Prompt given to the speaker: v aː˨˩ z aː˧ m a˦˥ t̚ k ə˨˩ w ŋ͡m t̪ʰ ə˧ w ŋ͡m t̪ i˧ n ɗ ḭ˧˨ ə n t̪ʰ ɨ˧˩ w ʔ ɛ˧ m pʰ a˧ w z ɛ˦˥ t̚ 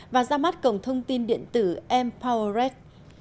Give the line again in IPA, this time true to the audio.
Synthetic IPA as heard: v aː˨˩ z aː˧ m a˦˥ t̚ k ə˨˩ w ŋ͡m t̪ʰ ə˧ w ŋ͡m t̪ i˧ n ɗ ḭ˧˨ ə n t̪ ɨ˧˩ ʔ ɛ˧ m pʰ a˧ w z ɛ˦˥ t̚

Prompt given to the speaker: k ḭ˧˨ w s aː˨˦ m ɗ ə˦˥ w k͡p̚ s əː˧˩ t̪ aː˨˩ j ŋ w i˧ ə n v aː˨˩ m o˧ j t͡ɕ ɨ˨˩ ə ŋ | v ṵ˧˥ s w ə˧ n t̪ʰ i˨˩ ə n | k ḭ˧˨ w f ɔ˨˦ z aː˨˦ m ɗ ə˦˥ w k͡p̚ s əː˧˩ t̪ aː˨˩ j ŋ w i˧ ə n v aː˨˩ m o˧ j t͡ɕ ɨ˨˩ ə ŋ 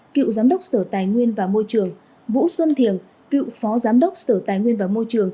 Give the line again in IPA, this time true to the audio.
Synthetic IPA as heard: k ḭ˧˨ w z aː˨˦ m ɗ ə˦˥ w k͡p̚ s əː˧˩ t̪ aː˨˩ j ŋ w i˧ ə n v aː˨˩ m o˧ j t͡ɕ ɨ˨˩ ə ŋ | v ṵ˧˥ s w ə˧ n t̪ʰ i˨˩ ə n | k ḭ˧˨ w f ɔ˨˦ z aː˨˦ m ɗ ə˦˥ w k͡p̚ s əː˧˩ t̪ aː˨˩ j ŋ w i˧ ə n v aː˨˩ m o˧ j t͡ɕ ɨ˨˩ ə ŋ

